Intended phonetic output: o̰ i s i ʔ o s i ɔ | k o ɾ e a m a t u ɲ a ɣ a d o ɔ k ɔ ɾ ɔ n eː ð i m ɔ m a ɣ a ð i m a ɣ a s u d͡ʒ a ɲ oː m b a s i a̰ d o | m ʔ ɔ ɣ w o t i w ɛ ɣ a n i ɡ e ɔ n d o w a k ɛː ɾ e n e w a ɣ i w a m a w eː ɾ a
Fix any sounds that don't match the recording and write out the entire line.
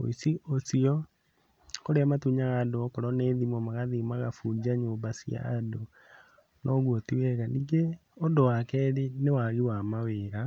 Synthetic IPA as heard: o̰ i s i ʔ o s i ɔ | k o ɾ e a m a t u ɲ a ɣ a d o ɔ k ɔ ɾ ɔ n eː ð i m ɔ m a ɣ a ð i m a ɣ a f u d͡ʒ a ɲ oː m b a s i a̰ d o | n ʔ ɔ ɣ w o t i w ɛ ɣ a n i ɡ e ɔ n d o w a k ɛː ɾ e n e w a ɣ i w a m a w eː ɾ a